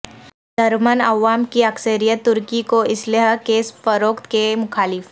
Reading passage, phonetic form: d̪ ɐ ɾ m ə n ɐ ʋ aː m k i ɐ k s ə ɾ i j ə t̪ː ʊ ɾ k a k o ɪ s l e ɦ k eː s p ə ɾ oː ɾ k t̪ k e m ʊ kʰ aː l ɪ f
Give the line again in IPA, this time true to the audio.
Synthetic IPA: d̪ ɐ ɾ m ə n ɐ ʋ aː m k i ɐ k s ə ɾ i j ə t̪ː ʊ ɾ k i k o ɪ s l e ɦ k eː s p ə ɾ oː k t̪ k e m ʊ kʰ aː l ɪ f